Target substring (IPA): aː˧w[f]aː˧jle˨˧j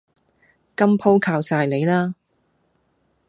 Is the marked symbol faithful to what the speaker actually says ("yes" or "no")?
no